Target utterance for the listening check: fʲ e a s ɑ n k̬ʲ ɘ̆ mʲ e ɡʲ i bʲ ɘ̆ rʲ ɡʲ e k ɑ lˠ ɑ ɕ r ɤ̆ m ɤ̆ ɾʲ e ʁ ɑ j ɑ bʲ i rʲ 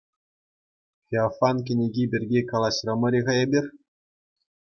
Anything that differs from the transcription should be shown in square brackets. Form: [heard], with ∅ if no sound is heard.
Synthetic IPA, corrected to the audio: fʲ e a [f] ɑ n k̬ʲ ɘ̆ [nʲ] e ɡʲ i bʲ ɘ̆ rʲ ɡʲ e k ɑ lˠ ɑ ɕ r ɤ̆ m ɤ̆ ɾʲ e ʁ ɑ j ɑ bʲ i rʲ